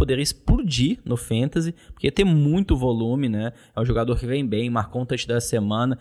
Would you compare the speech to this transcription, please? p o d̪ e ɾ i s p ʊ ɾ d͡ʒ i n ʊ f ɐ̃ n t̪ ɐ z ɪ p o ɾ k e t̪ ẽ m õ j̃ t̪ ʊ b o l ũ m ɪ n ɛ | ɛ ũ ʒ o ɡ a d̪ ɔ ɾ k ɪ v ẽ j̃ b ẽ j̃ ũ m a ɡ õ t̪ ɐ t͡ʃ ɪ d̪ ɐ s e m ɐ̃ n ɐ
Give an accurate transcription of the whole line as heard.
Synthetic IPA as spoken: p o d̪ e ɾ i s p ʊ ɾ d͡ʒ i n ʊ f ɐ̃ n t̪ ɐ z ɪ p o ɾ k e t̪ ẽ m ũ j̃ t̪ ʊ v o l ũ m ɪ n ɛ | ɛ ũ ʒ o ɡ a d̪ o ɾ k ɪ v ẽ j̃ b ẽ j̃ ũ m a k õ t̪ ɐ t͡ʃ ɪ d̪ ɐ s e m ɐ̃ n ɐ